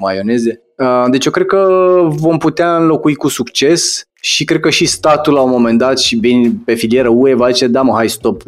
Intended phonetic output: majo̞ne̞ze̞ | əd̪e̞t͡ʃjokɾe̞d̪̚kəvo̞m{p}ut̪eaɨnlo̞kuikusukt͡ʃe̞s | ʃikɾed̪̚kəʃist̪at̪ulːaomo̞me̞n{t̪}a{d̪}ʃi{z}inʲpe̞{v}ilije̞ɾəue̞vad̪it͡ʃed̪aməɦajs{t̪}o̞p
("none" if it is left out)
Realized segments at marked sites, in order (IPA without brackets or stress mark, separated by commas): p, d̪, t̪, v, f, t̪